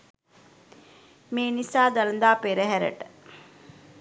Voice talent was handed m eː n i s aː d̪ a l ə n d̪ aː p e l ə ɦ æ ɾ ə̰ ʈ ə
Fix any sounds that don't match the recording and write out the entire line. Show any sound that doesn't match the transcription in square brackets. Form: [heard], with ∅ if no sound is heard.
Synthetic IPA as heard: m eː n i s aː d̪ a l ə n d̪ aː p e [ɾ] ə ɦ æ ɾ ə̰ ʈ ə